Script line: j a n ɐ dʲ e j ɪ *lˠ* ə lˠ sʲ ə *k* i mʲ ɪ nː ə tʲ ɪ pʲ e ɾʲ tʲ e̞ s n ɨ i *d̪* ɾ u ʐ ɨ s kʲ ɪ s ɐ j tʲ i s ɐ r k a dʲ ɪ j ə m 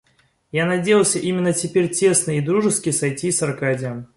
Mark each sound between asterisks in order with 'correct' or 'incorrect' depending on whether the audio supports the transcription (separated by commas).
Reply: incorrect, incorrect, correct